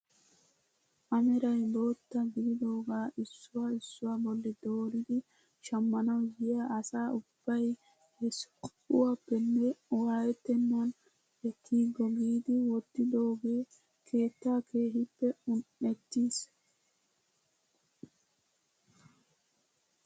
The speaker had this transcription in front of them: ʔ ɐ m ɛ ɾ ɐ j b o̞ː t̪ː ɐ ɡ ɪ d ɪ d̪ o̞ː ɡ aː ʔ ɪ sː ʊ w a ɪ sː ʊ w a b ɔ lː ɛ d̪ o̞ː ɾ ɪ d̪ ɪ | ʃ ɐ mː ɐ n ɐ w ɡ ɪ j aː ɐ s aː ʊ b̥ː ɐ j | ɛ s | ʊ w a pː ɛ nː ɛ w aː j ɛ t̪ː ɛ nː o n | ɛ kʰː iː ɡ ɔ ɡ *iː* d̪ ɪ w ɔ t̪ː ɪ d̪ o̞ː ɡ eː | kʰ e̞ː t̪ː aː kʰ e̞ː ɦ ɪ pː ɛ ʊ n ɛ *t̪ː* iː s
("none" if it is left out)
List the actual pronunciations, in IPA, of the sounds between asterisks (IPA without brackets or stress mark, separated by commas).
iː, t̪ː